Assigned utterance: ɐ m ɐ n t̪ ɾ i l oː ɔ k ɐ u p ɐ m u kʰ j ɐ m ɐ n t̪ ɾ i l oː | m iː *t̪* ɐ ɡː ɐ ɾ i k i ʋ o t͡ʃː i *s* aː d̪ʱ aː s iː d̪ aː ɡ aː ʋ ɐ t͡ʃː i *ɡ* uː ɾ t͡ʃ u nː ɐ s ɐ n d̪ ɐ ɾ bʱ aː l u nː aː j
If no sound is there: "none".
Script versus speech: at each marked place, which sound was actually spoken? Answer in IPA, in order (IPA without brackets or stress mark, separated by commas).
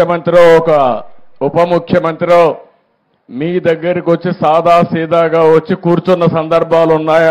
d̪, s, k